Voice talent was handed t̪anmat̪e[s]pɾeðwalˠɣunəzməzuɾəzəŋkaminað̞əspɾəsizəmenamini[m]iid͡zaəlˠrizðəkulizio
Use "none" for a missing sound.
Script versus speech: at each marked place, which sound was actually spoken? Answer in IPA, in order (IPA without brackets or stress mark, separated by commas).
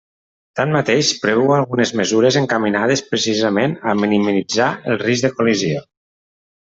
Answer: ʃ, m